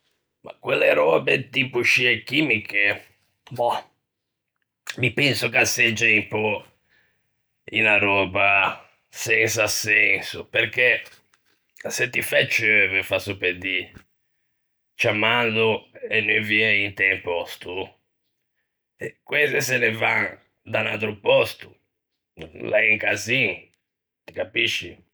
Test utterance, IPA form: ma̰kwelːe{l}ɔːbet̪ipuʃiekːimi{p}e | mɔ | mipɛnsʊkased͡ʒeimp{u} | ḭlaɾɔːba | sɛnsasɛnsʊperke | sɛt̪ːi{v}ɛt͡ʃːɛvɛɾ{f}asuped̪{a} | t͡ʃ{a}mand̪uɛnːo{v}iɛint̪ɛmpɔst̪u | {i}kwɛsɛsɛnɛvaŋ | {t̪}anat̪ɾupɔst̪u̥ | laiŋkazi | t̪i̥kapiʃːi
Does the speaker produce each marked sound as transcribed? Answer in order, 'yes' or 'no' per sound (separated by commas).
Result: no, no, no, no, yes, no, yes, yes, no, no